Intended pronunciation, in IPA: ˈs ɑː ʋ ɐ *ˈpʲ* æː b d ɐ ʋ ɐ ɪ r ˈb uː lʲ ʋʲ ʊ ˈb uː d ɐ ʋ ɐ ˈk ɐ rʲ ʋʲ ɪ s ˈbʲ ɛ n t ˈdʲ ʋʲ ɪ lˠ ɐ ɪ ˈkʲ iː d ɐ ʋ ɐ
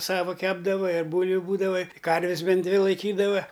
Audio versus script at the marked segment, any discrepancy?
yes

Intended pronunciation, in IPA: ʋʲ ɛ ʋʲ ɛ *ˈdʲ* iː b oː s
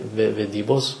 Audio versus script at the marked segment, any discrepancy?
no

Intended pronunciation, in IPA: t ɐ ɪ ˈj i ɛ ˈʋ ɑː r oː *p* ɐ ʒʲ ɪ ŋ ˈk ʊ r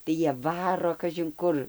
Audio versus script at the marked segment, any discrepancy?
yes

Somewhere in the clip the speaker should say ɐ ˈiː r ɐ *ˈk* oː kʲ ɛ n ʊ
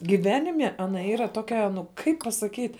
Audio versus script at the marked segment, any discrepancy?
yes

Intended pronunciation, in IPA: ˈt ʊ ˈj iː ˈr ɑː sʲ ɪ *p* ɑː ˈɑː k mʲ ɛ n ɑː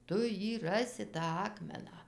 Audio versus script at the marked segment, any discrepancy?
yes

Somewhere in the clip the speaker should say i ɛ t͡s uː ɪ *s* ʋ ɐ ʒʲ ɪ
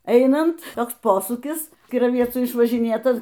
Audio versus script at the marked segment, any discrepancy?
yes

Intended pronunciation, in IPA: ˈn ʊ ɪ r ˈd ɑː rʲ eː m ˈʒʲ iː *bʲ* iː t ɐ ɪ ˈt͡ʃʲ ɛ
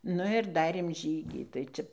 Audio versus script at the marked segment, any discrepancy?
yes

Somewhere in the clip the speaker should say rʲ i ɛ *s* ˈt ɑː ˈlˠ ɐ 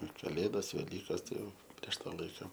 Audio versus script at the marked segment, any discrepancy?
yes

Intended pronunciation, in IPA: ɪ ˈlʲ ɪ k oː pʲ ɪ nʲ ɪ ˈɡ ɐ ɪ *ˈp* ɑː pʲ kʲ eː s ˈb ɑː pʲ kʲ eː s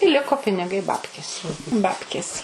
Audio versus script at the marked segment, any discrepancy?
yes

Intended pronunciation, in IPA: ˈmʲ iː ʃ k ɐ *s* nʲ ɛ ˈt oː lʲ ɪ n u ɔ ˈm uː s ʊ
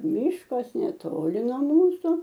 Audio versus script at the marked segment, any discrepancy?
no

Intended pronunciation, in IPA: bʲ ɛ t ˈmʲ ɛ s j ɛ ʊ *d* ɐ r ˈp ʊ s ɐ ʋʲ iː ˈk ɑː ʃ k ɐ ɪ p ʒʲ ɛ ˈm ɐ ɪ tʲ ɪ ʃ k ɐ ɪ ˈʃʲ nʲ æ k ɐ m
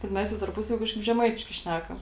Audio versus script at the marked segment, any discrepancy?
yes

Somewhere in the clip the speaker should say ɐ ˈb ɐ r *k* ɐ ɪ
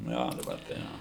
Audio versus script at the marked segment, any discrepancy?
yes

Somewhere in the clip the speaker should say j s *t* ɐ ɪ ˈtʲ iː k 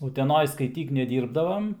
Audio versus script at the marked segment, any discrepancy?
yes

